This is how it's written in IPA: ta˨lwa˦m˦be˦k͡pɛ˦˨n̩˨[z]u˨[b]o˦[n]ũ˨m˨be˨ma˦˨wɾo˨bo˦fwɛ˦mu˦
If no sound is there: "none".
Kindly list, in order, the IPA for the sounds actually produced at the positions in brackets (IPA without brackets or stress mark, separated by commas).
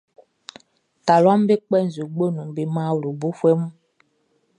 z, ɡ͡b, n